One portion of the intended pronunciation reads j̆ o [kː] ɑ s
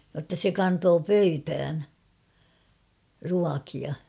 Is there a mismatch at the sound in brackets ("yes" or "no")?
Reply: yes